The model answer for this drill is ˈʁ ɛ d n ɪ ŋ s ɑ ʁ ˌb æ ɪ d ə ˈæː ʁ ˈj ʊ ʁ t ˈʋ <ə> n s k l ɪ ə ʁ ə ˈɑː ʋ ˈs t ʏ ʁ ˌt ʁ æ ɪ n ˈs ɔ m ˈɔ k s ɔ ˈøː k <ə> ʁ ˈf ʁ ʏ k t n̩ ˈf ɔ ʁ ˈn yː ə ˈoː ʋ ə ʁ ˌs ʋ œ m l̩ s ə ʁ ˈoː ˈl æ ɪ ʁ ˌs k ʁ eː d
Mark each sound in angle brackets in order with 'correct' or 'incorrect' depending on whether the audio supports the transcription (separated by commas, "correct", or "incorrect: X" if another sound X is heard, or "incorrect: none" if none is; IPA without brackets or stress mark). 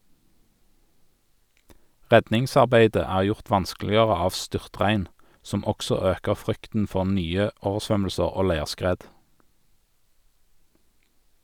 incorrect: ɑ, correct